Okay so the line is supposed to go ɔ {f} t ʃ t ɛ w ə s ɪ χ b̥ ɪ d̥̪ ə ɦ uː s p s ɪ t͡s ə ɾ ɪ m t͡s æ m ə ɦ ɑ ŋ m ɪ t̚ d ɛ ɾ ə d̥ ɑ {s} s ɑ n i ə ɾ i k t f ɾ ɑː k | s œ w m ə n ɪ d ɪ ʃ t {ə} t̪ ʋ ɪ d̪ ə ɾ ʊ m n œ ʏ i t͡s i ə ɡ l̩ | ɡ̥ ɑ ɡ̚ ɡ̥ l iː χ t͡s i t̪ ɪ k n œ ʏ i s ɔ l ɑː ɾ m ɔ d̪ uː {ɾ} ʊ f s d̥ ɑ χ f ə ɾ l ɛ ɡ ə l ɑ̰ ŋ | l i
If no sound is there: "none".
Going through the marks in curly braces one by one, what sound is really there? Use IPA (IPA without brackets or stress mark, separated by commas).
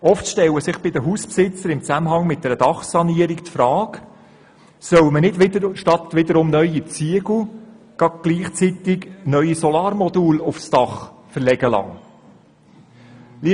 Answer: f, χ, ɑ, l